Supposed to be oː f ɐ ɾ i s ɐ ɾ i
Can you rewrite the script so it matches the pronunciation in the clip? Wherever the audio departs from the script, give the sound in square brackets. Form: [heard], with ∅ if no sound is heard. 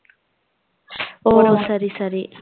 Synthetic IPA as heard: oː [s] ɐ ɾ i s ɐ ɾ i